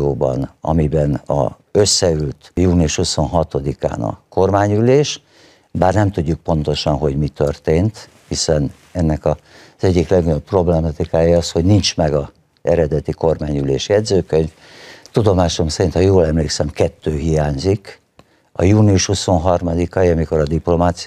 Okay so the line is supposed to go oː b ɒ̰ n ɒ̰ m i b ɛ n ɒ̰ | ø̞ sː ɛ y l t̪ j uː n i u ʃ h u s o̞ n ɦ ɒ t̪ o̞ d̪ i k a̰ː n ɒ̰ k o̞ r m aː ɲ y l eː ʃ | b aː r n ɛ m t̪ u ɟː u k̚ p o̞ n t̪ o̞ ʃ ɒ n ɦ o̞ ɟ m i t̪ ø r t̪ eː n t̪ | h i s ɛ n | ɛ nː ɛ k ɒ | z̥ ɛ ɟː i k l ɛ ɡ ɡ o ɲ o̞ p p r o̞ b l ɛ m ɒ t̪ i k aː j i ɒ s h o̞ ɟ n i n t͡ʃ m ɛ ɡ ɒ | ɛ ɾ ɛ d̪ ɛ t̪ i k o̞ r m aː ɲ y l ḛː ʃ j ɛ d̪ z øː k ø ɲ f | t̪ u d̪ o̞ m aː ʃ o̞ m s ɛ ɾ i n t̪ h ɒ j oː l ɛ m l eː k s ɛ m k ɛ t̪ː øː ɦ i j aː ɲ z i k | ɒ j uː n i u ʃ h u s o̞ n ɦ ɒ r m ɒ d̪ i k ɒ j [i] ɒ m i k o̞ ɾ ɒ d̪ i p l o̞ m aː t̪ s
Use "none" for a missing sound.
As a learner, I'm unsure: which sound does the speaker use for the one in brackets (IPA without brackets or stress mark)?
i